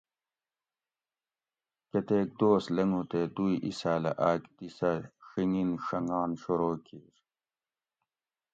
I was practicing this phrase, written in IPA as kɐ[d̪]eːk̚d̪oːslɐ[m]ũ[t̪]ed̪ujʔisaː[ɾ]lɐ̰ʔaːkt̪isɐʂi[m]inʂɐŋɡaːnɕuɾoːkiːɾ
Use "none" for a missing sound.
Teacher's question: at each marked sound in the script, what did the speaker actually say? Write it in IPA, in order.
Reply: t̪, ŋ, t̪, none, ŋ

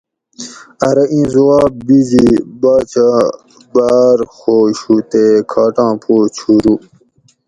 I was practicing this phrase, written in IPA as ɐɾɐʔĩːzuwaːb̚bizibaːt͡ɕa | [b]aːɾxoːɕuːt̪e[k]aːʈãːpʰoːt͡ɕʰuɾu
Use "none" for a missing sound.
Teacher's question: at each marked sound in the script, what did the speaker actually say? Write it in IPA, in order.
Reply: b, kʰ

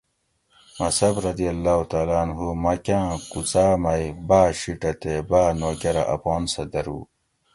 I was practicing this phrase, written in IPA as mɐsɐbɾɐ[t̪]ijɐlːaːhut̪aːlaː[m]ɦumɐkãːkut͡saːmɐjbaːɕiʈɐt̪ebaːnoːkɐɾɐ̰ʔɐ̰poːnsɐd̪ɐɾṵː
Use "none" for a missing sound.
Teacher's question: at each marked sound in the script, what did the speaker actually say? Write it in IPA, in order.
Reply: d̪, n

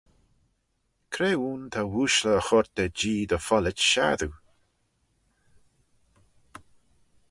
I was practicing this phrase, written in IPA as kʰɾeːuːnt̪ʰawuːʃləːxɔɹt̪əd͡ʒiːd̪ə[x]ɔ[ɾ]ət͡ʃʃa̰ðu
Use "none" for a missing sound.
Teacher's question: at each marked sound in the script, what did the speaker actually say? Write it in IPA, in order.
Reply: f, l

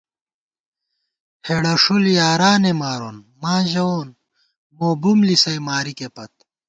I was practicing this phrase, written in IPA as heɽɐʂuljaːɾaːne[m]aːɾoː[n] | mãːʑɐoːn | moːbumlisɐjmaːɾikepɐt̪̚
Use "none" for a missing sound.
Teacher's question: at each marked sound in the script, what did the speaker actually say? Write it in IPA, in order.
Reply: m, n

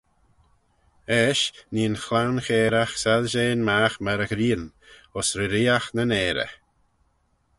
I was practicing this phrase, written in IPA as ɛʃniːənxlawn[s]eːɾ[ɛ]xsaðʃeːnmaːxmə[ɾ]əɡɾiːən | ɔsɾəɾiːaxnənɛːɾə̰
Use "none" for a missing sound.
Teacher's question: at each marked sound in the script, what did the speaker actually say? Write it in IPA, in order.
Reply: x, a, ɾ

